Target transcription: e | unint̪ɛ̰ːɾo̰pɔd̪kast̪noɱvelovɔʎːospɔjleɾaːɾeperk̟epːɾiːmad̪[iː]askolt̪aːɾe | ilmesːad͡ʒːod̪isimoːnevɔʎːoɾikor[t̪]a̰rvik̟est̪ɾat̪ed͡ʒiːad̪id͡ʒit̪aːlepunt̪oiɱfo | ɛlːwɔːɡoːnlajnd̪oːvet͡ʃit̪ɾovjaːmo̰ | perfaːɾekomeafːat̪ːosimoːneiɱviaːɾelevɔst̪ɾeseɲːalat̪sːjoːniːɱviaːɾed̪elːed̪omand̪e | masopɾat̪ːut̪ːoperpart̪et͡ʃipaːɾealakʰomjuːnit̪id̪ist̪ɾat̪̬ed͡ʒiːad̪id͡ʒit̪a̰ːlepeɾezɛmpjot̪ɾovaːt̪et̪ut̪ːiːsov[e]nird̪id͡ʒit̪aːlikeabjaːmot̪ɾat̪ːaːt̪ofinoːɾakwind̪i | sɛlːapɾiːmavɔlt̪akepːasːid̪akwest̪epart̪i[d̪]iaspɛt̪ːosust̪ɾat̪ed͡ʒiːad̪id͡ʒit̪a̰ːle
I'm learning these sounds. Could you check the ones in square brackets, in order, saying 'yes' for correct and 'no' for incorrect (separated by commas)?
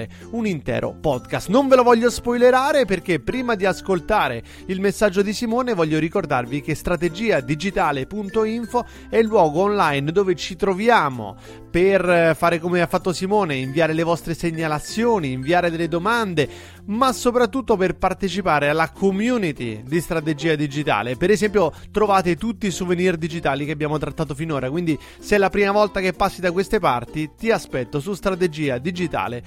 no, no, yes, no